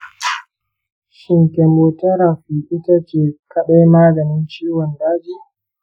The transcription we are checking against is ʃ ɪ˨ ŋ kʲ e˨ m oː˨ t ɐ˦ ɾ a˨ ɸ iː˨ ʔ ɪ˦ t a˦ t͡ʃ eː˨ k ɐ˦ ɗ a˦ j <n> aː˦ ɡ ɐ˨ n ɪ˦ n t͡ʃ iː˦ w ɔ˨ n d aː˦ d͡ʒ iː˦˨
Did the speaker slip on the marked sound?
yes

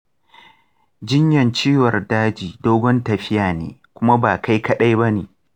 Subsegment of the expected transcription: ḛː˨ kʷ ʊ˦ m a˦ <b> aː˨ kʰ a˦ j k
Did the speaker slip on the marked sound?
no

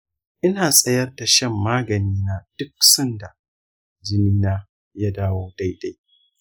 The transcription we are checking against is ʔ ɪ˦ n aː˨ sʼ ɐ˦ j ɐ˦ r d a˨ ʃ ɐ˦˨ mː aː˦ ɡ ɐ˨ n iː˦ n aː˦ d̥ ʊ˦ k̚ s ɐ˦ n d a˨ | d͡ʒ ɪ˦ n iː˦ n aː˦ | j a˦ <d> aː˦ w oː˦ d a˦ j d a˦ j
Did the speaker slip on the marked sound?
no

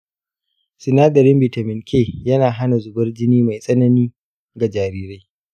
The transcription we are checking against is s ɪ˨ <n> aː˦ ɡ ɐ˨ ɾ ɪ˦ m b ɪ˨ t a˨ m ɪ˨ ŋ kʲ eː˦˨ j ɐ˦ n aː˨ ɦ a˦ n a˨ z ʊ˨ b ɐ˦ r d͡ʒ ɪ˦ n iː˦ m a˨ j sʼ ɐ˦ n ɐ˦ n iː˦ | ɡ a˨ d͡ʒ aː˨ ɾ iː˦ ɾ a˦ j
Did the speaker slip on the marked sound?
no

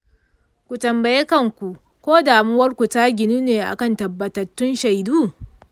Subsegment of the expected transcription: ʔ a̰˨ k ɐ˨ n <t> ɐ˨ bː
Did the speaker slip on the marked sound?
no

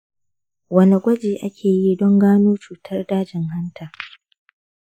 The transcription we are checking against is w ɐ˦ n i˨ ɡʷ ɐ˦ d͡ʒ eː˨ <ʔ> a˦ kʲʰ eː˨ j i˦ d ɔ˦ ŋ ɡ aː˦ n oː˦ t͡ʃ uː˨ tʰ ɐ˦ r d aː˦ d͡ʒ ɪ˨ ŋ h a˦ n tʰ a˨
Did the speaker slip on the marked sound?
no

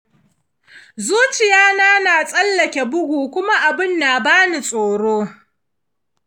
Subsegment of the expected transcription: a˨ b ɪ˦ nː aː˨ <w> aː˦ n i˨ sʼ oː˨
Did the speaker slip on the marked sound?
yes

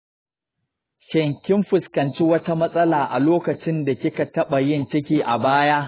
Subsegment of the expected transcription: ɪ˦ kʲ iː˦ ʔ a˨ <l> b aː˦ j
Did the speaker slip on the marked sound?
yes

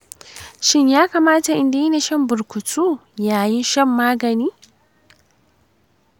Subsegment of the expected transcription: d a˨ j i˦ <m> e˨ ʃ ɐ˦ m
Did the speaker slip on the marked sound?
yes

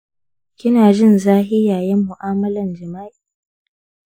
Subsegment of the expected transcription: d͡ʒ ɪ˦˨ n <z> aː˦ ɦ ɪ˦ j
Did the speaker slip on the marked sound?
no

